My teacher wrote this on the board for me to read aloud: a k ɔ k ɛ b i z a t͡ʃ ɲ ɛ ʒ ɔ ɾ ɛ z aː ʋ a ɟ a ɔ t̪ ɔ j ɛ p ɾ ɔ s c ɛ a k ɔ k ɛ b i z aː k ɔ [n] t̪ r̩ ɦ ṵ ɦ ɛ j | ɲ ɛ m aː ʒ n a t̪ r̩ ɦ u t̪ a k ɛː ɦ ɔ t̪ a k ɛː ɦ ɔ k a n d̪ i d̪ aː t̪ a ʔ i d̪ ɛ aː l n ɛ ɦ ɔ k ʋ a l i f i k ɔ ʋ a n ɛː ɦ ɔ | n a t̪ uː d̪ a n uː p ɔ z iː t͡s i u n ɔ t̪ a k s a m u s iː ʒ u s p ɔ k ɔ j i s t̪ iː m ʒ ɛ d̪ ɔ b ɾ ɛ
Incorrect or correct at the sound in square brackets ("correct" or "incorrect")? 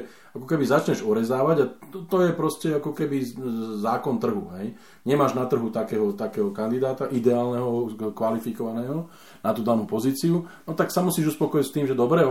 correct